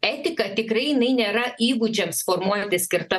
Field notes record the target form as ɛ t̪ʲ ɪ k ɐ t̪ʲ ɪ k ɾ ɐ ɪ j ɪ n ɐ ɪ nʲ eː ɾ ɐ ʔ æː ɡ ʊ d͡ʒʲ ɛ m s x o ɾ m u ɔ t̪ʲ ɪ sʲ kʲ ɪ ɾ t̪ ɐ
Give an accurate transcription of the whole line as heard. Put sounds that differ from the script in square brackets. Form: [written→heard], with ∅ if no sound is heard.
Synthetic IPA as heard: ɛ t̪ʲ ɪ k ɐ t̪ʲ ɪ k ɾ ɐ ɪ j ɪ n ɐ ɪ nʲ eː ɾ ɐ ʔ [æː→iː] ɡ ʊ d͡ʒʲ ɛ m s [x→f] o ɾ m u ɔ t̪ʲ ɪ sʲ kʲ ɪ ɾ t̪ ɐ